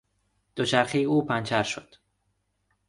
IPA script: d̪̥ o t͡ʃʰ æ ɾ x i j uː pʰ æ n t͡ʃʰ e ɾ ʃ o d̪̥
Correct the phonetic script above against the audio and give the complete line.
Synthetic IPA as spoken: d̪̥ o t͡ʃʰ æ ɾ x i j uː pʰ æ n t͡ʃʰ æ ɾ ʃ o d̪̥

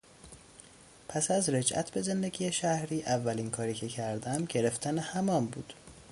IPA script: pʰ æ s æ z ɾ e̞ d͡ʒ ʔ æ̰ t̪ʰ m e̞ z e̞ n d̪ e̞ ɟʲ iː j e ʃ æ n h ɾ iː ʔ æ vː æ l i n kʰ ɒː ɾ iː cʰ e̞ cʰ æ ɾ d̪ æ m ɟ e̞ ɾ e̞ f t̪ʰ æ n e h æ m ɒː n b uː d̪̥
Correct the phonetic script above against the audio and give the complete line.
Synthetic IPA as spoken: pʰ æ s æ z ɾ e̞ d͡ʒ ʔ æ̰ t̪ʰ b e̞ z e̞ n d̪ e̞ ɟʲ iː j e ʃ æ h ɾ iː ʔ æ vː æ l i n kʰ ɒː ɾ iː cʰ e̞ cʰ æ ɾ d̪ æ m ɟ e̞ ɾ e̞ f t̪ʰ æ n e h æ m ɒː m b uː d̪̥

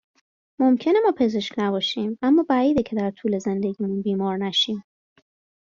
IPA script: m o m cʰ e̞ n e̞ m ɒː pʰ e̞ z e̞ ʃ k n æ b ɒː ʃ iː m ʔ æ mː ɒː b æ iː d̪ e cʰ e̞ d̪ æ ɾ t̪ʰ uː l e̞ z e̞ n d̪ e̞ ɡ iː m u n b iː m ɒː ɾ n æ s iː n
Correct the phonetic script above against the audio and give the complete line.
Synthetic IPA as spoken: m o m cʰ e̞ n e̞ m ɒː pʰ e̞ z e̞ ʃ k n æ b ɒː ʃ iː m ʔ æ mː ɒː b æ iː d̪ e cʰ e̞ d̪ æ ɾ t̪ʰ uː l e̞ z e̞ n d̪ e̞ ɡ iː m u n b iː m ɒː ɾ n æ ʃ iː m

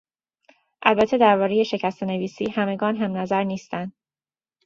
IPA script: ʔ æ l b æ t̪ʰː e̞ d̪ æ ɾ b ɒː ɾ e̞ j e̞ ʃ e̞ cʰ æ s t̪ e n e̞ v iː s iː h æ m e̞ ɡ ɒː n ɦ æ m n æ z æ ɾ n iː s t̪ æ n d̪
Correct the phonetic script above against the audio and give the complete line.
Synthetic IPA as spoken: ʔ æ l b æ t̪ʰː e̞ d̪ æ ɾ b ɒː ɾ e̞ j e̞ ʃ e̞ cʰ æ s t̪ e n e̞ v iː s iː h æ m e̞ ɡ ɒː n ɦ æ m n æ z æ ɾ n iː s t̪ æ n d̪

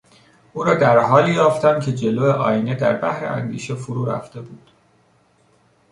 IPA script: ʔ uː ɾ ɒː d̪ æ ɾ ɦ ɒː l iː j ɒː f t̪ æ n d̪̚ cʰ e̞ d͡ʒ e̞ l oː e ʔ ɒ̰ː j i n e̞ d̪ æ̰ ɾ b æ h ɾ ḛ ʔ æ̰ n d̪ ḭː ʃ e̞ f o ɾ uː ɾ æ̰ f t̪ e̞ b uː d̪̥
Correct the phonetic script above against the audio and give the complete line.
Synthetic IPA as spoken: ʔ uː ɾ ɒː d̪ æ ɾ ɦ ɒː l iː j ɒː f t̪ æ n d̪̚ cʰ e̞ d͡ʒ e̞ l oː e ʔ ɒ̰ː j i n e̞ d̪ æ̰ ɾ b æ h ɾ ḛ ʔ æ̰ n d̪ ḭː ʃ e̞ f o ɾ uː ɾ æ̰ f t̪ e̞ b uː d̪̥

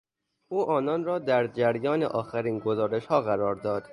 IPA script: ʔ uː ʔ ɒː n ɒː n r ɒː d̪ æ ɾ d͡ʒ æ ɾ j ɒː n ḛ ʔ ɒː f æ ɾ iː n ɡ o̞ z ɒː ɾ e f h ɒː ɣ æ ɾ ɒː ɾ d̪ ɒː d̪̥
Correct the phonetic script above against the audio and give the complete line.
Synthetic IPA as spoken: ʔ uː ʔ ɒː n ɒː n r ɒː d̪ æ ɾ d͡ʒ æ ɾ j ɒː n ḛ ʔ ɒː x æ ɾ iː n ɡ o̞ z ɒː ɾ e ʃ h ɒː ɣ æ ɾ ɒː ɾ d̪ ɒː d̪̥

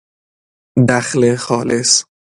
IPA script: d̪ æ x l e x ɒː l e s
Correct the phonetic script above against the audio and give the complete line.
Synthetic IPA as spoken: d̪ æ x l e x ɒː l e s

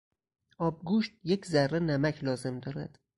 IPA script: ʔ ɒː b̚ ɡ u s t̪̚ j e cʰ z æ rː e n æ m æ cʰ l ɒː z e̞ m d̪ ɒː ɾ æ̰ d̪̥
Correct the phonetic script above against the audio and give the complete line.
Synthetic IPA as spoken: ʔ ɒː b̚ ɡ u ʃ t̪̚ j e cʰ z æ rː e n æ m æ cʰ l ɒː z e̞ m d̪ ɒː ɾ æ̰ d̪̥

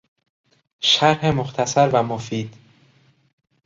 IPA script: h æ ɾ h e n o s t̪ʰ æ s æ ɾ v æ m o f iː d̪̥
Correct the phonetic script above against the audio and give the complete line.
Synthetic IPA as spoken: ʃ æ ɾ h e m o x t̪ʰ æ s æ ɾ v æ m o f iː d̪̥

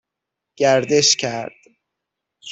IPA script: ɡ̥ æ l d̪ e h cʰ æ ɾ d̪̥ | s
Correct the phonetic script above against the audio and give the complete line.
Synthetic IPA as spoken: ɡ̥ æ ɾ d̪ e ʃ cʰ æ ɾ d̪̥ | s

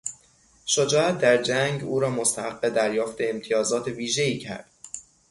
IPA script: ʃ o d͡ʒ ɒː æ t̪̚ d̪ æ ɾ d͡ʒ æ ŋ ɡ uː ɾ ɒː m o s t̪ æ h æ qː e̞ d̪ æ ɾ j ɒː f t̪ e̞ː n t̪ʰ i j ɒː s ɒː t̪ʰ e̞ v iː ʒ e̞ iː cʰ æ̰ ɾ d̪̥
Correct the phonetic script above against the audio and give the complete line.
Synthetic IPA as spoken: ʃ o d͡ʒ ɒː æ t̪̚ d̪ æ ɾ d͡ʒ æ ŋ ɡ uː ɾ ɒː m o s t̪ æ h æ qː e̞ d̪ æ ɾ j ɒː f t̪ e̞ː m t̪ʰ i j ɒː z ɒː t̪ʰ e̞ v iː ʒ e̞ iː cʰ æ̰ ɾ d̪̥

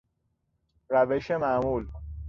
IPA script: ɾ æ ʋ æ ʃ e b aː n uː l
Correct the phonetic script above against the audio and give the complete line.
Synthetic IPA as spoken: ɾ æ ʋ e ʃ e m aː m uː l

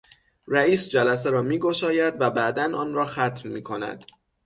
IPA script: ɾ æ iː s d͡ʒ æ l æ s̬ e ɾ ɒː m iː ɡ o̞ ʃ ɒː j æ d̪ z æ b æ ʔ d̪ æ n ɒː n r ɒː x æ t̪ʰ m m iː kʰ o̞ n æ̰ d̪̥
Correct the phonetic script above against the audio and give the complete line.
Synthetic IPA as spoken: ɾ æ iː s d͡ʒ æ l æ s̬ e ɾ ɒː m iː ɡ o̞ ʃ ɒː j æ d̪ v æ b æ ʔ d̪ æ n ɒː n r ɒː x æ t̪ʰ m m iː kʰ o̞ n æ̰ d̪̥

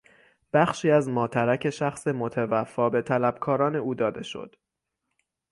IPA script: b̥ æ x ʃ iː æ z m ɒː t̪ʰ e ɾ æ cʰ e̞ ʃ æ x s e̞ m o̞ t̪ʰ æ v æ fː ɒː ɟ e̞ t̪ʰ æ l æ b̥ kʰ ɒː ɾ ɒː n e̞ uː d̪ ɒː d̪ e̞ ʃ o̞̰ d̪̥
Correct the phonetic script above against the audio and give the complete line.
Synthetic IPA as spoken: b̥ æ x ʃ iː æ z m ɒː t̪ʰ æ ɾ æ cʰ e̞ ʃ æ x s e̞ m o̞ t̪ʰ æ v æ fː ɒː b e̞ t̪ʰ æ l æ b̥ kʰ ɒː ɾ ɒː n e̞ uː d̪ ɒː d̪ e̞ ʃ o̞̰ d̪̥

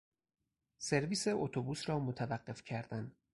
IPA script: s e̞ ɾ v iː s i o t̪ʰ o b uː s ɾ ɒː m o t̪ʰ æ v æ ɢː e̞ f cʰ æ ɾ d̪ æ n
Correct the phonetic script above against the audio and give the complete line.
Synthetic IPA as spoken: s e̞ ɾ v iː s e o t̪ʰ o b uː s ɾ ɒː m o t̪ʰ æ v æ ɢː e̞ f cʰ æ ɾ d̪ æ n

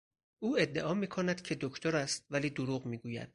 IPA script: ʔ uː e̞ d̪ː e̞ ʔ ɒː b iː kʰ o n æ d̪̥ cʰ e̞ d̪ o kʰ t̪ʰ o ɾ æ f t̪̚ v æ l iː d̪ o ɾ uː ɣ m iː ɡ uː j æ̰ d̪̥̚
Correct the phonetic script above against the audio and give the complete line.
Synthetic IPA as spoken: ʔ uː e̞ d̪ː e̞ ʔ ɒː m iː kʰ o n æ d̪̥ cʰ e̞ d̪ o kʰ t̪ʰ o ɾ æ s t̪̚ v æ l iː d̪ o ɾ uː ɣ m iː ɡ uː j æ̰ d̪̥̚

